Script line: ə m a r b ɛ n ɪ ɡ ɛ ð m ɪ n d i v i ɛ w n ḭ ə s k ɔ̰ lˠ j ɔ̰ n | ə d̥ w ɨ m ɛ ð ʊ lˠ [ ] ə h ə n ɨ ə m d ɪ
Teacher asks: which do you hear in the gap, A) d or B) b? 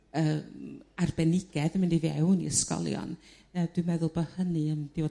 B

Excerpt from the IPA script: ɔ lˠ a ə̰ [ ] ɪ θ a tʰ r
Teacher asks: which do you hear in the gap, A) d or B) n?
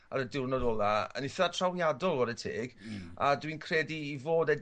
B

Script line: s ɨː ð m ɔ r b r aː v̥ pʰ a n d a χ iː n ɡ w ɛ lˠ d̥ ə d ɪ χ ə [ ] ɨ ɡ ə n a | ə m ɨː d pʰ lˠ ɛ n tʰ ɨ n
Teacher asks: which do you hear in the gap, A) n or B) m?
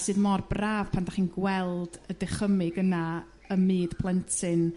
B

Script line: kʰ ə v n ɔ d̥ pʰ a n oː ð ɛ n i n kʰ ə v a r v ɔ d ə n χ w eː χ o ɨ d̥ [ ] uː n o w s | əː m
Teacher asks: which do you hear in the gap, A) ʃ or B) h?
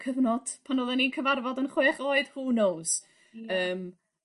B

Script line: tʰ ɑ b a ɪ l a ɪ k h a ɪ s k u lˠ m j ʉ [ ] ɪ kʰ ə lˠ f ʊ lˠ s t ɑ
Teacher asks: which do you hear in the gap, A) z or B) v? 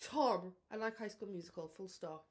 A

